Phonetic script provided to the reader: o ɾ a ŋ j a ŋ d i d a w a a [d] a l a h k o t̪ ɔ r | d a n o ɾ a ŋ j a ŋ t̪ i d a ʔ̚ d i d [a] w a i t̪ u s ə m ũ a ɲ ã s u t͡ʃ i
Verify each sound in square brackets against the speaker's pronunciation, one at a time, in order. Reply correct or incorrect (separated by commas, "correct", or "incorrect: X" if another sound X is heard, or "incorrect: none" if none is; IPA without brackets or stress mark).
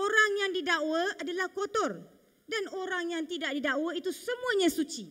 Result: correct, correct